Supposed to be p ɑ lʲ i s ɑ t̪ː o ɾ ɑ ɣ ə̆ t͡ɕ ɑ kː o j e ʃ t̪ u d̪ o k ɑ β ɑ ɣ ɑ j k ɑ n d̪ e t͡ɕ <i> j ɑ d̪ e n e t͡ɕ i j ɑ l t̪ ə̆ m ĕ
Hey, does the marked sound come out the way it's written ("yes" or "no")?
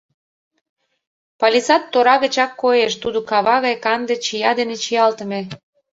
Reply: yes